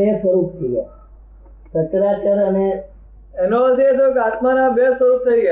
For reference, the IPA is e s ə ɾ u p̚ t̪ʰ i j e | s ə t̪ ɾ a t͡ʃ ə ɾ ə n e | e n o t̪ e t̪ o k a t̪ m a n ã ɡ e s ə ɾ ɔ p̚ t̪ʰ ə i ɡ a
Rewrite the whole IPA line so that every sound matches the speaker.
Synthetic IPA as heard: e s ə ɾ u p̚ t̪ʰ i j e | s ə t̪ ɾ a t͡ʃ ə ɾ ə n e | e n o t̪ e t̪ o k a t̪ m a n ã b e s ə ɾ u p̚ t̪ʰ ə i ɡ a